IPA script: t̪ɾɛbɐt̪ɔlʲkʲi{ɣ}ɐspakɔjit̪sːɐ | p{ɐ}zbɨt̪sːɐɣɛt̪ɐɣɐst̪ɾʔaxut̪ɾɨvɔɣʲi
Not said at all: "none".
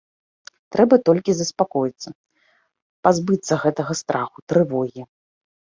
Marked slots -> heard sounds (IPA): z, a

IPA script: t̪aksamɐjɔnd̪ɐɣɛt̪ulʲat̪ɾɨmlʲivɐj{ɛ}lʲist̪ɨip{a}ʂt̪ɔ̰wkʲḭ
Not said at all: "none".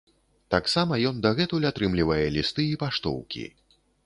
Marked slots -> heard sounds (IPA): ɛ, a

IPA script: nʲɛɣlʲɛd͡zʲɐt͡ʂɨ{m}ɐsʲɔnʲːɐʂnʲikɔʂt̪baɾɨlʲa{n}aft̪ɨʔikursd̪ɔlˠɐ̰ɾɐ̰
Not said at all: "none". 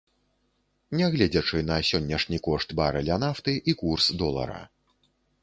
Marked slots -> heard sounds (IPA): n, n

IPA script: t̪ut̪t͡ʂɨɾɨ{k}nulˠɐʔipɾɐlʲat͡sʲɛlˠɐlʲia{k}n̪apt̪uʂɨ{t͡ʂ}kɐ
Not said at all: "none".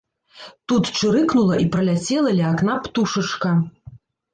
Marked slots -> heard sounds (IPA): k, k, t͡ʂ

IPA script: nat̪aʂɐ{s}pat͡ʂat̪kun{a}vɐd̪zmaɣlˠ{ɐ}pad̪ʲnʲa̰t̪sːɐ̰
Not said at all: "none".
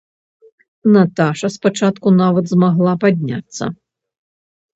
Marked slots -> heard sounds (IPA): s, a, a

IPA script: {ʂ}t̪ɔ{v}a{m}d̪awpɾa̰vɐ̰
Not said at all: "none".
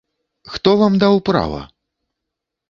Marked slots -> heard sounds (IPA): x, v, m

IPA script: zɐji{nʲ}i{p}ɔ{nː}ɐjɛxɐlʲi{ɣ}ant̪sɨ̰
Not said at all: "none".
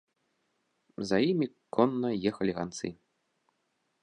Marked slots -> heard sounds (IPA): mʲ, k, nː, ɣ

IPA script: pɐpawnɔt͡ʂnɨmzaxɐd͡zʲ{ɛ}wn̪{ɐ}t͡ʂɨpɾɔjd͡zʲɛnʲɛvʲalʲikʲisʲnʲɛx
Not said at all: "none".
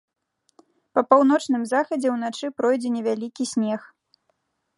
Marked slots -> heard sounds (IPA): ɛ, a

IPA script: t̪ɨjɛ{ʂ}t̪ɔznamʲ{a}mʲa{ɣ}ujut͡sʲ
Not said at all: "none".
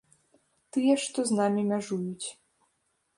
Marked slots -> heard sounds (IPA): ʂ, i, ʐ

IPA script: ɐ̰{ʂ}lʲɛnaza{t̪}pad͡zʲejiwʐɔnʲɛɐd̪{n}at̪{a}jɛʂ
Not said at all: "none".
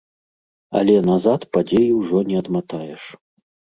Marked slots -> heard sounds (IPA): none, t̪, m, a

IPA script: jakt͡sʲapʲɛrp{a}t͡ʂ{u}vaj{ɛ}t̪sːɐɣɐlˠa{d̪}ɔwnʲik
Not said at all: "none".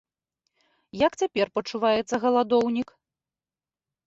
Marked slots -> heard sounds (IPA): ɐ, u, ɛ, d̪

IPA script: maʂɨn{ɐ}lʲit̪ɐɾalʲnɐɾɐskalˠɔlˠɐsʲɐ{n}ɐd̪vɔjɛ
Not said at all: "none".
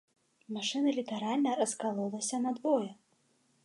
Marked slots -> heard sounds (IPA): ɐ, n

